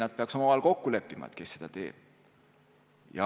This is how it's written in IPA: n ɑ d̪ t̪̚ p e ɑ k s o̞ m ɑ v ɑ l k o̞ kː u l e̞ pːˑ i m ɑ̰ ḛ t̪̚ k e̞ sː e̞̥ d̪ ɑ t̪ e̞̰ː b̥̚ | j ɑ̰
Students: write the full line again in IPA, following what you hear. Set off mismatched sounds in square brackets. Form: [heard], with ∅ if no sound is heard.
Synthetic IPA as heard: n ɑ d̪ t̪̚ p e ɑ k s o̞ m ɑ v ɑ l k o̞ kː u l e̞ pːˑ i m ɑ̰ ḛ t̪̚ k e̞ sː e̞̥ d̪ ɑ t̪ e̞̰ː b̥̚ | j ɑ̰